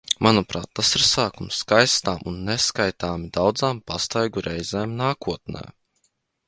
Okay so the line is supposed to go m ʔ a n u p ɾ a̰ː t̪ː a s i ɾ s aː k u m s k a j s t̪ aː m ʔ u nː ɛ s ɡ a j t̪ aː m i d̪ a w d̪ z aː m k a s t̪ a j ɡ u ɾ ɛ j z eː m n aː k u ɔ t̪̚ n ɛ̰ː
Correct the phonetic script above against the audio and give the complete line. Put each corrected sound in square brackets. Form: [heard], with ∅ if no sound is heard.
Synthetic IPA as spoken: m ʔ a n u p ɾ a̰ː t̪ː a s i ɾ s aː k u m s k a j s t̪ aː m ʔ u nː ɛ s [k] a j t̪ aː m i d̪ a w d̪ z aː m [p] a s t̪ a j ɡ u ɾ ɛ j z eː m n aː k u ɔ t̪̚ n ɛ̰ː